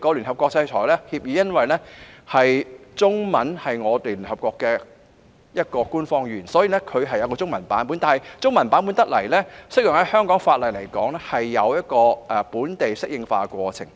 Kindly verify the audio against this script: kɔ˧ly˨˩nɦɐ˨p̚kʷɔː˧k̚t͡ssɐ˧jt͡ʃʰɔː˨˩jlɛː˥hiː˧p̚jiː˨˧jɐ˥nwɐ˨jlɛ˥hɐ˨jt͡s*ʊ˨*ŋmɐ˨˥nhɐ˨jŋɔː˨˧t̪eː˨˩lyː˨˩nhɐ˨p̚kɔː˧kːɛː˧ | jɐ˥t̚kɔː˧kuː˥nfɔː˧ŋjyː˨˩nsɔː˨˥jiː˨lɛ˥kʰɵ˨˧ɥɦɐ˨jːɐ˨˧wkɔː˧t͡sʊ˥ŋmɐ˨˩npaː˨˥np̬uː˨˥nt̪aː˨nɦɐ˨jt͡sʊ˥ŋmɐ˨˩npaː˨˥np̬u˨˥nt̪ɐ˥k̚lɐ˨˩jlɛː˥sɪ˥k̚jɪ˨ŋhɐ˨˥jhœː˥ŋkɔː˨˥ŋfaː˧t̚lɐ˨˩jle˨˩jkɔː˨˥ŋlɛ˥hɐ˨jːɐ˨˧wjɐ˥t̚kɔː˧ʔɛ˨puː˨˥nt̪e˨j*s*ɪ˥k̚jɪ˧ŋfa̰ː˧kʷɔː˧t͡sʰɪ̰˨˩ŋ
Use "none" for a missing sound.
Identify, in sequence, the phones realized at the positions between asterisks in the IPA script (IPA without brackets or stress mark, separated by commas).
ʊ˥, s